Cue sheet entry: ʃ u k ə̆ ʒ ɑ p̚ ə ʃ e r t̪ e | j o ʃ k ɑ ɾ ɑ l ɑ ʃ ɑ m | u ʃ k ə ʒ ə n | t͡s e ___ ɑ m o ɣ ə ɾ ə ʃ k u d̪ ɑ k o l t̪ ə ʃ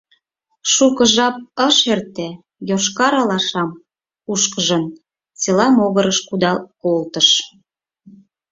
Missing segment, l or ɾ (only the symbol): l